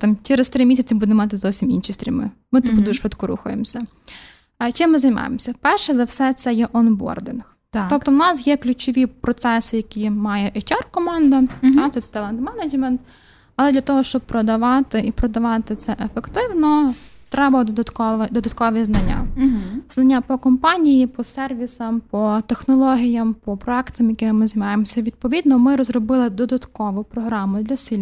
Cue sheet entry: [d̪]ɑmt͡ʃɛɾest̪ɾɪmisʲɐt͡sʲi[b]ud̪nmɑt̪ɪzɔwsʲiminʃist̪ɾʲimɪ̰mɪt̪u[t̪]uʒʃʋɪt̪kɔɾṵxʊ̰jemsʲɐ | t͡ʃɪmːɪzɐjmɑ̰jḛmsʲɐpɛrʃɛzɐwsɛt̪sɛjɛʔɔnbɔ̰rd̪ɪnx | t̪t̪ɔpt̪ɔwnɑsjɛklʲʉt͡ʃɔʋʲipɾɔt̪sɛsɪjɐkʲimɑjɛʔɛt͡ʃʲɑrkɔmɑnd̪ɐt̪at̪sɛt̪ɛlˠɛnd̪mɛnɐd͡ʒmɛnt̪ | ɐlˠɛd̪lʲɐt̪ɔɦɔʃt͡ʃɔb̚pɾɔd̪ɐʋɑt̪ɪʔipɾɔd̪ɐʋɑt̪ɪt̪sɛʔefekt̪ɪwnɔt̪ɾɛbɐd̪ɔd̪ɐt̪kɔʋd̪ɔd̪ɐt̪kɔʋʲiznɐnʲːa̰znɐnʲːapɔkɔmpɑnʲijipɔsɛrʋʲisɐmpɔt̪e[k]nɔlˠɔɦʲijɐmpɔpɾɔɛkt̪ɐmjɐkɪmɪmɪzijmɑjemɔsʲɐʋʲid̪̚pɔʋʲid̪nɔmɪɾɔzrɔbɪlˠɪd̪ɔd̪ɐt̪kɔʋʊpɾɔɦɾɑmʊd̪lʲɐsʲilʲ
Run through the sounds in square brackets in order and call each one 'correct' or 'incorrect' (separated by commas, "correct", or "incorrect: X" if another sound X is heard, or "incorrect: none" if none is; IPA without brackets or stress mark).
incorrect: t̪, correct, incorrect: d̪, incorrect: x